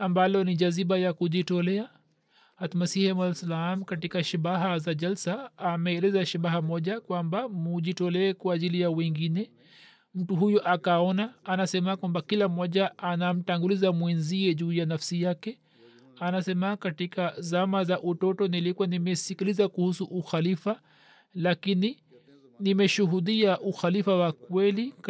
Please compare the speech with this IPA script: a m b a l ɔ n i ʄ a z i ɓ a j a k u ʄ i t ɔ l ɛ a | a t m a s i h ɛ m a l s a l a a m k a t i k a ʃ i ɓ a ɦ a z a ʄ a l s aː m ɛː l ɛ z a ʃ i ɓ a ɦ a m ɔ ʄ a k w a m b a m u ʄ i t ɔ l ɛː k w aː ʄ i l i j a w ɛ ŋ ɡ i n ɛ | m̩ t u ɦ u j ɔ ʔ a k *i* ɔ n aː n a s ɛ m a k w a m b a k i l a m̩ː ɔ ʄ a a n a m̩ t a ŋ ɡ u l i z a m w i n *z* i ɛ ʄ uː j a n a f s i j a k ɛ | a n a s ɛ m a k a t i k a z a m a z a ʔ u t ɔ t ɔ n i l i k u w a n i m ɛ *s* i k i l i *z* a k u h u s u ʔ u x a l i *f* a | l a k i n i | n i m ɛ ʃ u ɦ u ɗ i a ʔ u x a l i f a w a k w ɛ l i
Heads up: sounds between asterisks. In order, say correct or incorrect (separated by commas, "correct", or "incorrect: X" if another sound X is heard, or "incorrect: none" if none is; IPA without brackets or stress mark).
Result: incorrect: a, correct, correct, correct, correct